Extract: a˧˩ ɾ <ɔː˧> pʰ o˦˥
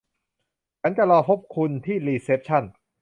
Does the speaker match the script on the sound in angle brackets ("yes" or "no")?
yes